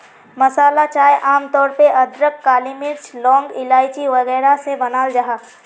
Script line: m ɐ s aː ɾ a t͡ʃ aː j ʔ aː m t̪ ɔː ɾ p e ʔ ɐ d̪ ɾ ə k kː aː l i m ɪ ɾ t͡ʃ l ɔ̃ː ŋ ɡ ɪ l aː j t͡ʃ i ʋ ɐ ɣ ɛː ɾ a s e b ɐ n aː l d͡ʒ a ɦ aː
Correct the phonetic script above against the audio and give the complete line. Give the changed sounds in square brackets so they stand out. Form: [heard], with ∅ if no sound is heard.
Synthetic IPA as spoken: m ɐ s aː [l] a t͡ʃ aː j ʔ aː m t̪ ɔː ɾ p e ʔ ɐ d̪ ɾ ə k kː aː l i m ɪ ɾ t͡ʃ l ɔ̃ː ŋ ɡ ɪ l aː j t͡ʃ i ʋ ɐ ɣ ɛː ɾ a s e b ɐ n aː l d͡ʒ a ɦ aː